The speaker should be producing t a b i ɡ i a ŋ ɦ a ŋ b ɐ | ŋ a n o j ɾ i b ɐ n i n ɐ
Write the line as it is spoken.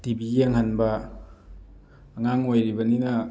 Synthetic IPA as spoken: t i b i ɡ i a ŋ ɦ a n b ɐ | ŋ a ŋ o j ɾ i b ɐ n i n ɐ

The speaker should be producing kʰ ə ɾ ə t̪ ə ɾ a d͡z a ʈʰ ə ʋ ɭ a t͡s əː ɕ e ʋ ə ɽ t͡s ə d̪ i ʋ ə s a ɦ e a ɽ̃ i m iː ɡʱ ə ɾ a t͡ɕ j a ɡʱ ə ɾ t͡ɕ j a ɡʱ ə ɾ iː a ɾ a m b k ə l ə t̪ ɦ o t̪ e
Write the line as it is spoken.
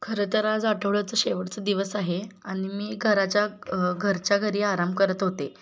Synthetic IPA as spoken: kʰ ə ɾ ə t̪ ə ɾ a d͡z a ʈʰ ə ʋ ɭ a t͡s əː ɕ e ʋ ə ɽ t͡s ə d̪ i ʋ ə s a ɦ e a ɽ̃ i m iː ɡʱ ə ɾ a t͡ɕ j a ɡʱ ə ɾ t͡ɕ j a ɡʱ ə ɾ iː a ɾ a m b k ə ɾ ə t̪ ɦ o t̪ e

